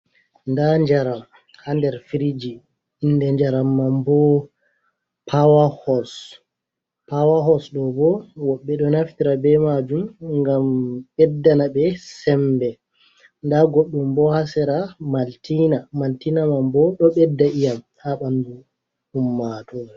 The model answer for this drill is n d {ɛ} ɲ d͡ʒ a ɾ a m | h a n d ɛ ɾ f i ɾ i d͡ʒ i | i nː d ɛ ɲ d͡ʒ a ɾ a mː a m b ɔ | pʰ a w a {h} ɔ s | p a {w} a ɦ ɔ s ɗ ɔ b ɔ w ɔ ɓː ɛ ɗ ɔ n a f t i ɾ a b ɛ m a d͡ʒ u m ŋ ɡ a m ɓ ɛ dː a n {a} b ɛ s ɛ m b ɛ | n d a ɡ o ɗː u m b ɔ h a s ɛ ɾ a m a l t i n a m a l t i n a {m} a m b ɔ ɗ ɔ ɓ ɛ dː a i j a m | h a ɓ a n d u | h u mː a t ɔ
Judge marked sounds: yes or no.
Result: no, yes, yes, yes, yes

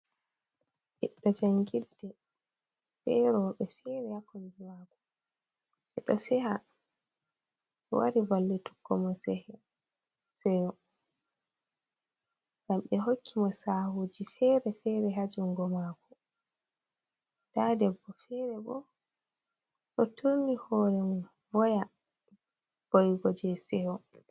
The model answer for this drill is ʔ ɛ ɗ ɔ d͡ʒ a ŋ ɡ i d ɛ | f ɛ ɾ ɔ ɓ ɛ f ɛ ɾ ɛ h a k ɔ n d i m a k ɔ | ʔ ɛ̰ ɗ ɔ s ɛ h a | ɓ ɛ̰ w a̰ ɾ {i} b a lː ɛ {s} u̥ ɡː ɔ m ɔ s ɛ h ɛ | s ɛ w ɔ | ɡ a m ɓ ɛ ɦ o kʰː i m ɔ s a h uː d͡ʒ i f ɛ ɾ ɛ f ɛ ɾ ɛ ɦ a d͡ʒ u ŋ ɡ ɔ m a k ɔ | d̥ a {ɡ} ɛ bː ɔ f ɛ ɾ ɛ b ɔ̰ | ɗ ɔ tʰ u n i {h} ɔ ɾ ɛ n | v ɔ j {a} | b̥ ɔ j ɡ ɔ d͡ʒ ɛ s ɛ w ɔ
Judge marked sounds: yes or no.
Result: yes, no, no, yes, yes

